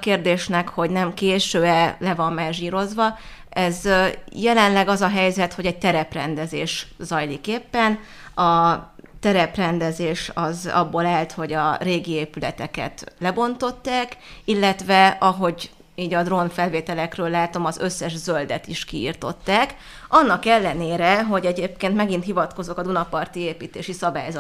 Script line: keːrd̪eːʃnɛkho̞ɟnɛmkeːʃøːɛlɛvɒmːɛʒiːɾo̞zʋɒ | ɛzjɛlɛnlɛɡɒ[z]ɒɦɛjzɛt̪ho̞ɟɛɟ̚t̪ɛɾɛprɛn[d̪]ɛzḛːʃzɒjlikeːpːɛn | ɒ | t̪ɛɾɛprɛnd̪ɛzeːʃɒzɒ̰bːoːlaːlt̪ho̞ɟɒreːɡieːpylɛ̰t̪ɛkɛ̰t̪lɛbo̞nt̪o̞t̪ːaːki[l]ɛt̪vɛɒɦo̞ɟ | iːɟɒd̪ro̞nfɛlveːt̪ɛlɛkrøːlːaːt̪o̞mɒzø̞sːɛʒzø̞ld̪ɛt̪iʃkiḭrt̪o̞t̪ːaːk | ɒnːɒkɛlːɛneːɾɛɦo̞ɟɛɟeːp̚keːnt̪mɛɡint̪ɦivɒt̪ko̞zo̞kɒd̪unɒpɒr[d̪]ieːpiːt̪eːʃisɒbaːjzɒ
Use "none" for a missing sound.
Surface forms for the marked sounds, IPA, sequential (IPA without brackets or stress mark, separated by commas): z, d̪, lː, t̪